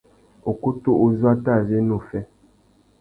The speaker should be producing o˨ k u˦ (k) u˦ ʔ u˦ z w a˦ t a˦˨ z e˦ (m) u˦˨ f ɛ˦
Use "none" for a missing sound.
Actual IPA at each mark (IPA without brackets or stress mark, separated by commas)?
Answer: t, n